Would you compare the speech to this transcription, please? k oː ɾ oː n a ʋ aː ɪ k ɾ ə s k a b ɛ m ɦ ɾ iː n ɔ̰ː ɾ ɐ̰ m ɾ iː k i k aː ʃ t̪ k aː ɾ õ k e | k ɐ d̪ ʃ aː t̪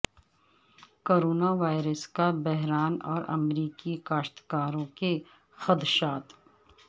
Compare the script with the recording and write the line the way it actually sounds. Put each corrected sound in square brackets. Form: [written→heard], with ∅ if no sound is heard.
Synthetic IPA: k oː ɾ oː n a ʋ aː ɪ [k→∅] ɾ ə s k a b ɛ [m→∅] ɦ ɾ [iː→aː] n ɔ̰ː ɾ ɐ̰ m ɾ iː k i k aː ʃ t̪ k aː ɾ õ k e | [k→x] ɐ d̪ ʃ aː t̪